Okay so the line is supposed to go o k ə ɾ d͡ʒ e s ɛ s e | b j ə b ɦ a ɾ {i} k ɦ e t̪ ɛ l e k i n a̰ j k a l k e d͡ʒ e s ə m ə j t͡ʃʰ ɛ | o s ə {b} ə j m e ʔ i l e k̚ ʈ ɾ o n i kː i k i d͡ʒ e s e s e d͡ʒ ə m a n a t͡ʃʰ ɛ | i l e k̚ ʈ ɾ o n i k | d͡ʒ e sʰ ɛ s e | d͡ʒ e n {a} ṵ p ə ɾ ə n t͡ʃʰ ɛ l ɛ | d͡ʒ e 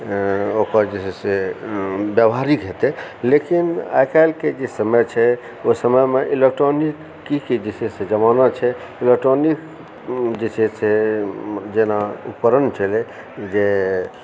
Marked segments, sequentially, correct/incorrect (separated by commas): correct, incorrect, correct